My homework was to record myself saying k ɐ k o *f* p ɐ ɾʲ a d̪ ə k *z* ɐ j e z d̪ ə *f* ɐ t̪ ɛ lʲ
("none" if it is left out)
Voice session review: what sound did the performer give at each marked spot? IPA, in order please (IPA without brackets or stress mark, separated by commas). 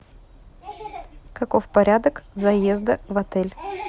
f, z, v